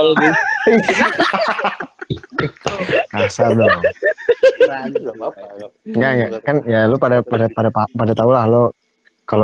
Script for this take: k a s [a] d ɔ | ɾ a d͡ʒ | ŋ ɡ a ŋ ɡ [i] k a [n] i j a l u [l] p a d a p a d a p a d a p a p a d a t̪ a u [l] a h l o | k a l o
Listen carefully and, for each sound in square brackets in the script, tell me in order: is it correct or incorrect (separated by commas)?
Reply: correct, incorrect, correct, incorrect, correct